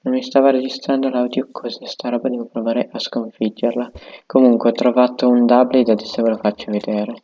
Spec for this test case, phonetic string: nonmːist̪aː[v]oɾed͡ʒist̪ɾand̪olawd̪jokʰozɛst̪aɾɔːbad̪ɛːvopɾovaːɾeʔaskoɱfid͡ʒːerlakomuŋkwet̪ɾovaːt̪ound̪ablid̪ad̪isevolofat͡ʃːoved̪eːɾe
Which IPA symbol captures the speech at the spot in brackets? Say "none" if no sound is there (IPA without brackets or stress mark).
v